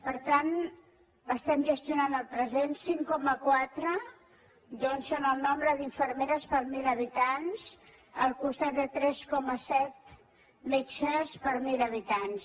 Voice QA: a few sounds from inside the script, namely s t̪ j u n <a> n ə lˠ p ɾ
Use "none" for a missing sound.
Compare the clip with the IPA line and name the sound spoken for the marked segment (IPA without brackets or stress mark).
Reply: a